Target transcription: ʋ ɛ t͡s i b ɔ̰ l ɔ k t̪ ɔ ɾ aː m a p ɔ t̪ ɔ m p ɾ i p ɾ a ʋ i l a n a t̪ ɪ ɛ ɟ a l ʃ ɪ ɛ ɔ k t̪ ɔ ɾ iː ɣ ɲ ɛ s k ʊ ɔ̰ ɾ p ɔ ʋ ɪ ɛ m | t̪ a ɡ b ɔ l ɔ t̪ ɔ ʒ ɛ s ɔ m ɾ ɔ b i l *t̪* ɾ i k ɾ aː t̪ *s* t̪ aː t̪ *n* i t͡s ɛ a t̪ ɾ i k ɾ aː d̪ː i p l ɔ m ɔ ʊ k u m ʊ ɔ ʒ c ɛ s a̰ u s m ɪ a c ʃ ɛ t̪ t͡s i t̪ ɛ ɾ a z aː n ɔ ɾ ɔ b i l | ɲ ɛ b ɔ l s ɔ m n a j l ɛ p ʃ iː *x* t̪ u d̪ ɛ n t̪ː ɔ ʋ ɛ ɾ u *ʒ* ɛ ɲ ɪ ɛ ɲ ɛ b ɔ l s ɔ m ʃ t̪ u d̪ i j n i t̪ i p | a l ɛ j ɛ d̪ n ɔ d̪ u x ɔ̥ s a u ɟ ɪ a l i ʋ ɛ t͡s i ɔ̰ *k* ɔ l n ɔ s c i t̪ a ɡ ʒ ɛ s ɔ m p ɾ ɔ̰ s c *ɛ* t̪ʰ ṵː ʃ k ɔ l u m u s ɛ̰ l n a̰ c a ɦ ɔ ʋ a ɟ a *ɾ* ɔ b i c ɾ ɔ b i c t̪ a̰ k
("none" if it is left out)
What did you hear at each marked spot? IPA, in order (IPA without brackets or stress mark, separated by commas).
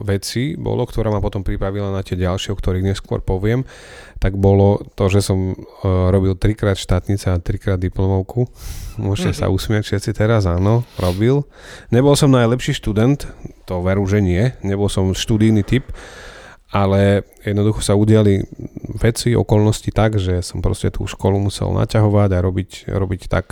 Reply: t̪, ʃ, ɲ, ʃ, ʒ, k, ɛ, ɾ